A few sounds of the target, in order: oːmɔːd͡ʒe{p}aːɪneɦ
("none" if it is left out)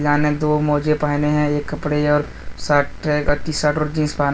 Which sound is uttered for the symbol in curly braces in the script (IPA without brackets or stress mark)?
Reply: p